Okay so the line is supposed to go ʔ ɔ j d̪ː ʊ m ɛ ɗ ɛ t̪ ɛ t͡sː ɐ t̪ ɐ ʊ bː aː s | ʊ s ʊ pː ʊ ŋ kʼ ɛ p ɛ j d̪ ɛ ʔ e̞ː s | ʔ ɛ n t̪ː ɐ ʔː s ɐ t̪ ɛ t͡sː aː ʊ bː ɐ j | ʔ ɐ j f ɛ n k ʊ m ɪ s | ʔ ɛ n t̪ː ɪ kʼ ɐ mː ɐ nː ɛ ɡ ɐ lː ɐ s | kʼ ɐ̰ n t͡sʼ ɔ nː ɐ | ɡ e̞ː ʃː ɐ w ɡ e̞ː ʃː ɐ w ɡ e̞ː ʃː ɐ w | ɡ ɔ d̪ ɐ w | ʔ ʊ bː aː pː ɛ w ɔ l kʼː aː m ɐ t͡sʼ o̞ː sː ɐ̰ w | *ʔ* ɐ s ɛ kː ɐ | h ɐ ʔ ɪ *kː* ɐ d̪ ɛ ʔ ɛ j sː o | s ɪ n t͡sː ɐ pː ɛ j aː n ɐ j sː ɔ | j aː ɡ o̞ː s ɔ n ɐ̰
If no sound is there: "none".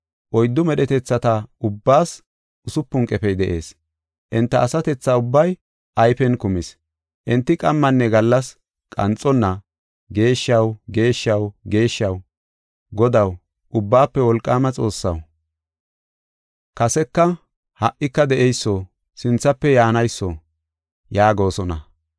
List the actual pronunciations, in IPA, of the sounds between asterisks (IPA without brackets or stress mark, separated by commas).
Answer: k, kː